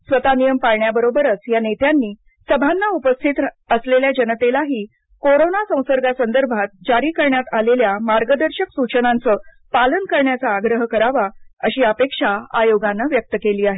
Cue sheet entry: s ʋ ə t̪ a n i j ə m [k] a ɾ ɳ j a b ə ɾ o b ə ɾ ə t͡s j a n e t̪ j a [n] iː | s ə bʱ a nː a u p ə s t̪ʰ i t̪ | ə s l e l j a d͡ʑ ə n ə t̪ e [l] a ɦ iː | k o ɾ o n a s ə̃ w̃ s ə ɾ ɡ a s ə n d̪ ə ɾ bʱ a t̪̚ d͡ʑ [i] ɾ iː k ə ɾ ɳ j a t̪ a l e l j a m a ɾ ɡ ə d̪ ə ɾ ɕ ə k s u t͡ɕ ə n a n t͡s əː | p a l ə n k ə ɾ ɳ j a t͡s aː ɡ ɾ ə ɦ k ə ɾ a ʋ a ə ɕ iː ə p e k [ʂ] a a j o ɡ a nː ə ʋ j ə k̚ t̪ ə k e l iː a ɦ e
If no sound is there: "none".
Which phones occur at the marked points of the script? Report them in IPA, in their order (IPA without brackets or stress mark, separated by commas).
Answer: p, nː, l, a, ʂ